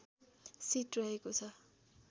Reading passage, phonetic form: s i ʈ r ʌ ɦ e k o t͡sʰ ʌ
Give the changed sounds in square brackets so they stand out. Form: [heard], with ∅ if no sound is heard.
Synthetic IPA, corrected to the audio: s i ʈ r ʌ ɦ e k o t͡sʰ ʌ